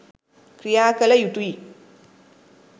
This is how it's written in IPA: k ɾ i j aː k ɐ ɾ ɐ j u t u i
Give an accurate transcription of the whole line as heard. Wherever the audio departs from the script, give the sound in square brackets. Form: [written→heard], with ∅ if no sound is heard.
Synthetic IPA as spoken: k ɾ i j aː k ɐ [ɾ→l] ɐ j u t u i